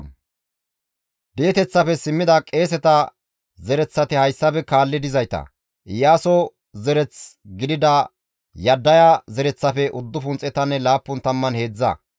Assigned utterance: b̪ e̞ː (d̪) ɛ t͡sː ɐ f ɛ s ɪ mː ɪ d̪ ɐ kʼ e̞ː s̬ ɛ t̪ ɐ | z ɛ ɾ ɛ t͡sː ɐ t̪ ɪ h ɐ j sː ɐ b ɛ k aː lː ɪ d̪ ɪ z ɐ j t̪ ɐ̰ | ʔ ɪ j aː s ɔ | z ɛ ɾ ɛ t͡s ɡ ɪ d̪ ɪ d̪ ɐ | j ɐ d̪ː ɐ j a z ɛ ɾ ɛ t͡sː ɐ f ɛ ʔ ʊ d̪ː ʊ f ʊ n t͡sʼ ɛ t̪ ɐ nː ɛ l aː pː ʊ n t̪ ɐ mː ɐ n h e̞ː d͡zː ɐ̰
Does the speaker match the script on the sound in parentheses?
no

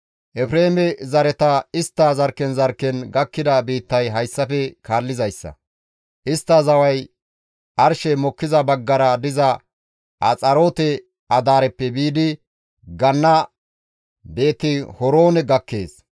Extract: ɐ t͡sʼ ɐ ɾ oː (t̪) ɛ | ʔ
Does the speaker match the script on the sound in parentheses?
yes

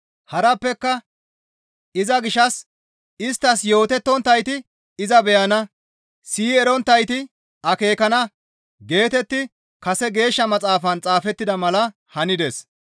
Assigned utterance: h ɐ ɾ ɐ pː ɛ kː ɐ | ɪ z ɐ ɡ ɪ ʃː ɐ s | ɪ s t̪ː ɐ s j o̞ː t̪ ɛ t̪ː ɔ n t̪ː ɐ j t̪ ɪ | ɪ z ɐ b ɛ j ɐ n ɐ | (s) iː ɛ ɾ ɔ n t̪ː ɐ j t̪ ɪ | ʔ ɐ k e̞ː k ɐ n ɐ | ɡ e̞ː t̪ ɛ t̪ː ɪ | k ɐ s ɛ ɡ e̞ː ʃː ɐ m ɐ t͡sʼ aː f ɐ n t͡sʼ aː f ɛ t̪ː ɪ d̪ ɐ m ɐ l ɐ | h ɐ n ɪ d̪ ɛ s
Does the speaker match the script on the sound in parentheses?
yes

